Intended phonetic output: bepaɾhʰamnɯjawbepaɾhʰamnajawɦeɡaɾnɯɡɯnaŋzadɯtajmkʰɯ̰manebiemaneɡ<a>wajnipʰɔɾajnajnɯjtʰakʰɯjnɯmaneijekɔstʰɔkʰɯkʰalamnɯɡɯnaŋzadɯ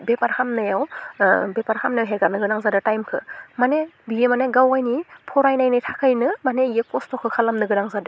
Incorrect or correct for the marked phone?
correct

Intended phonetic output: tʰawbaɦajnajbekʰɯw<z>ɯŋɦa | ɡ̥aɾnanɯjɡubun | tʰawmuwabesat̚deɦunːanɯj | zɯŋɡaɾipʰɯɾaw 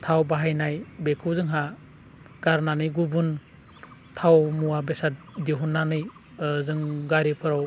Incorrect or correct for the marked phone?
correct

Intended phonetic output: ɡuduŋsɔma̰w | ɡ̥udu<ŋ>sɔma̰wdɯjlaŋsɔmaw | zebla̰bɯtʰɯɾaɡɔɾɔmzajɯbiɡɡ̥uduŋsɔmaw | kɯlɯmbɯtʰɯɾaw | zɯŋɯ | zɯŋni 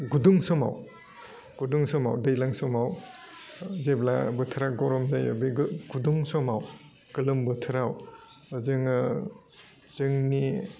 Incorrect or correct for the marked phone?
correct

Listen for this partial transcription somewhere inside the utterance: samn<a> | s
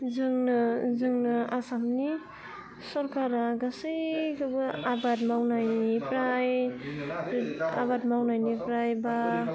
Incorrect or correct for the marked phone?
incorrect: i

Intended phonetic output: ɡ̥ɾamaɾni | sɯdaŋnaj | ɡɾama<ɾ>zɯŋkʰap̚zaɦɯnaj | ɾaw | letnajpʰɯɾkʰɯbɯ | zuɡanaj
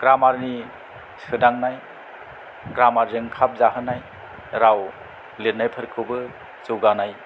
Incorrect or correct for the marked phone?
correct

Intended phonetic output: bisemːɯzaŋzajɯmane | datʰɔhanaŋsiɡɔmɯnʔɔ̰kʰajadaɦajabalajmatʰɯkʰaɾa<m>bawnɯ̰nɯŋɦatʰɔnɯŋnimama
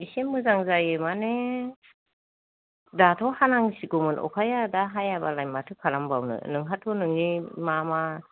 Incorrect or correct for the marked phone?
correct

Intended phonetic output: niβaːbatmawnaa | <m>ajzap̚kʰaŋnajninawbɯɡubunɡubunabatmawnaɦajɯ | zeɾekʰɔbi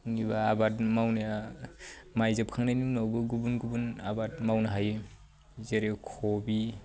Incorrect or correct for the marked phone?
correct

